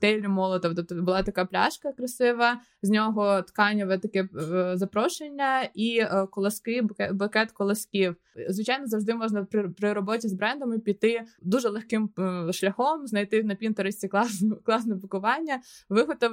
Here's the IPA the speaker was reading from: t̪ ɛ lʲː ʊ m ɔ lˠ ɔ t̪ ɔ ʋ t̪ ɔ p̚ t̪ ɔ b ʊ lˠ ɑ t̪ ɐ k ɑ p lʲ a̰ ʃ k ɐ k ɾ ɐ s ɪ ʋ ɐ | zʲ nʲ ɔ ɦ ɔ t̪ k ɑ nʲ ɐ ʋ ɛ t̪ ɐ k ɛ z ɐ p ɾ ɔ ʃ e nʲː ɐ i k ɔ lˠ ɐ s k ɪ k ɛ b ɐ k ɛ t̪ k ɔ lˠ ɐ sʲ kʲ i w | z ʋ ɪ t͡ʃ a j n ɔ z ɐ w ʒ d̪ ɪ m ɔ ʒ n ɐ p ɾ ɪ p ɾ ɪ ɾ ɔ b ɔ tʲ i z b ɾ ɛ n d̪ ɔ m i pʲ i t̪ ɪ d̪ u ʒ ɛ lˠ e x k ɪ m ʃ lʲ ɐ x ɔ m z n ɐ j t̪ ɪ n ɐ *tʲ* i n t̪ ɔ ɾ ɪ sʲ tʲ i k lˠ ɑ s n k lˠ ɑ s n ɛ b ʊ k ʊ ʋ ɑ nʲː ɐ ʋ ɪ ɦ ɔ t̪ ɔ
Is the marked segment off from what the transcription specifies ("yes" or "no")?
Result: yes